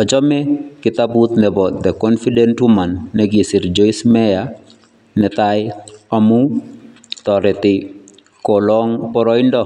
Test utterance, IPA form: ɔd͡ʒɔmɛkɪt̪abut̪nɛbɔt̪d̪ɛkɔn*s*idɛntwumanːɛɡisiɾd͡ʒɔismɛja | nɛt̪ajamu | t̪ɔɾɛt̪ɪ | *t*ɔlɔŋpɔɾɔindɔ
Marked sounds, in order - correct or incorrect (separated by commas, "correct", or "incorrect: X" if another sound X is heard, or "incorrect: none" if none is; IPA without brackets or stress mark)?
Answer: incorrect: f, incorrect: k